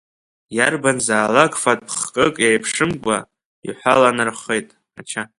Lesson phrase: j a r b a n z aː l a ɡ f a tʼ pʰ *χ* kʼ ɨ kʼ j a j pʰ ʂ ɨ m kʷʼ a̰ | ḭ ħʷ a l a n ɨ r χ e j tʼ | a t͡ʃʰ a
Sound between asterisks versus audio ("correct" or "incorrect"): correct